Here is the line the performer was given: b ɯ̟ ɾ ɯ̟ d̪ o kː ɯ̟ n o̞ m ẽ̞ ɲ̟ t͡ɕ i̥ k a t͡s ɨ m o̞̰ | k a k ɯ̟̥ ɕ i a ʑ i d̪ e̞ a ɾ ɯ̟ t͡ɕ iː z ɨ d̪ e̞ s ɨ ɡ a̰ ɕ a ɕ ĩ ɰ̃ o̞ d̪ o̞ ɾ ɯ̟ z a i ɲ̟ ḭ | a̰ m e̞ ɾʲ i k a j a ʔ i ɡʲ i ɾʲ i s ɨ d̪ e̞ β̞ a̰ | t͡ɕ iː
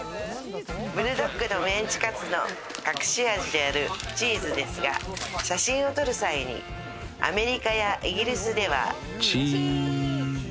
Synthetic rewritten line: b ɯ̟ ɾ ɯ̟ d̪ o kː ɯ̟ n o̞ m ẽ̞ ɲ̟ t͡ɕ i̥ k a t͡s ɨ n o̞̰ | k a k ɯ̟̥ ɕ i a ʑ i d̪ e̞ a ɾ ɯ̟ t͡ɕ iː z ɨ d̪ e̞ s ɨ ɡ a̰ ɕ a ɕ ĩ ɰ̃ o̞ t̪ o̞ ɾ ɯ̟ s a i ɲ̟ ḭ | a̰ m e̞ ɾʲ i k a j a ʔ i ɡʲ i ɾʲ i s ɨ d̪ e̞ β̞ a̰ | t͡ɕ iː